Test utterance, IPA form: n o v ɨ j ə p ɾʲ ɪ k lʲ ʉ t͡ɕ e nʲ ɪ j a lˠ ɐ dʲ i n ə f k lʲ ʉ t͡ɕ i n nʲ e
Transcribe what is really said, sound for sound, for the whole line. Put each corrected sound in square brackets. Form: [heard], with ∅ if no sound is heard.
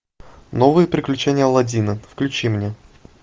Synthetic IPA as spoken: n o v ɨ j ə p ɾʲ ɪ k lʲ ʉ t͡ɕ e nʲ ɪ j [ə] lˠ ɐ dʲ i n ə f k lʲ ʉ t͡ɕ i [m] nʲ e